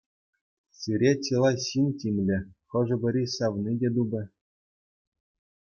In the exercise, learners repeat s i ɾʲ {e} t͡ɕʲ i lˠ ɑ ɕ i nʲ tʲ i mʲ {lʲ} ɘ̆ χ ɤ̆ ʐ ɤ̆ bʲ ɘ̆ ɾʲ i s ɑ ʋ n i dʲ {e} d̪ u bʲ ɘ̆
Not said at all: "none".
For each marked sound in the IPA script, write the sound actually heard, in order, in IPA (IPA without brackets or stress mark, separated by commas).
e, lʲ, e